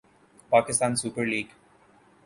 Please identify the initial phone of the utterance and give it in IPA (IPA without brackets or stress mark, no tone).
p